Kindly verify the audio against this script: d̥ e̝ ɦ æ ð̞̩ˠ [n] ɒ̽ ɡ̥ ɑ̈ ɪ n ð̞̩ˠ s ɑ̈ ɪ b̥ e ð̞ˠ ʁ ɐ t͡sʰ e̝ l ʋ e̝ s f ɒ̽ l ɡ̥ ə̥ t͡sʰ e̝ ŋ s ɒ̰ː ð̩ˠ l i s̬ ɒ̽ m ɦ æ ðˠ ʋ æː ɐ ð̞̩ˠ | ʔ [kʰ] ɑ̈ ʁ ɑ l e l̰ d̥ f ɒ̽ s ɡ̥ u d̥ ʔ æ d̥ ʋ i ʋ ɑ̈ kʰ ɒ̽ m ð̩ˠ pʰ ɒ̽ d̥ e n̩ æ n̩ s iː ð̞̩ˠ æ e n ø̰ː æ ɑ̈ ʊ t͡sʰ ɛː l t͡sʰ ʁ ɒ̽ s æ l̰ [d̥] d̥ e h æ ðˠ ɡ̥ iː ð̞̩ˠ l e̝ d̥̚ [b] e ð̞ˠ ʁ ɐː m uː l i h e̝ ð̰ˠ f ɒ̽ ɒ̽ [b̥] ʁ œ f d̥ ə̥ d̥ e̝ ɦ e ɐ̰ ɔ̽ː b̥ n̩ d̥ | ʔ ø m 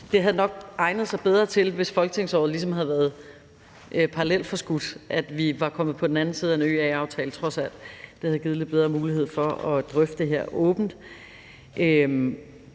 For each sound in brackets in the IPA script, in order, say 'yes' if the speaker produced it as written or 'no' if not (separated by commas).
yes, no, yes, yes, no